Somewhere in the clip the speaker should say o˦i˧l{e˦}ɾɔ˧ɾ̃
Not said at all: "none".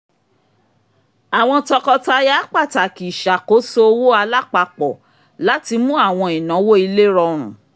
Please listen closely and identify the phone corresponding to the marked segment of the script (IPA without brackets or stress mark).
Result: e˦